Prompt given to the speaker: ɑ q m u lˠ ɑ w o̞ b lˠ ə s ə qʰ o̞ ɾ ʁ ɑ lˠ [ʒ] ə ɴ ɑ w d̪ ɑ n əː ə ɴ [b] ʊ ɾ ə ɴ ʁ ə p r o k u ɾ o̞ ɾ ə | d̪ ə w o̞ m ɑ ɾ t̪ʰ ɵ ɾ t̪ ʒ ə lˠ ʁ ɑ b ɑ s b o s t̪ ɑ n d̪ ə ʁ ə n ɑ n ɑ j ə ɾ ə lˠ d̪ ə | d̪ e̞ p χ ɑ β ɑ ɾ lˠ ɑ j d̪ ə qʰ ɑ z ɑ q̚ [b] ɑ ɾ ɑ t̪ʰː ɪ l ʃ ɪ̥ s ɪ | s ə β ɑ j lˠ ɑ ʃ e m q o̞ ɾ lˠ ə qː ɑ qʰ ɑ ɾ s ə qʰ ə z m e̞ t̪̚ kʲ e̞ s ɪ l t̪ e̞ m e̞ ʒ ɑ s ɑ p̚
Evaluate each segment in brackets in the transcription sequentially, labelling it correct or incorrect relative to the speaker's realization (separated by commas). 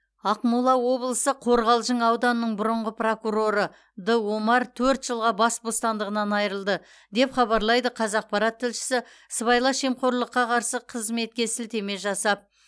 correct, correct, incorrect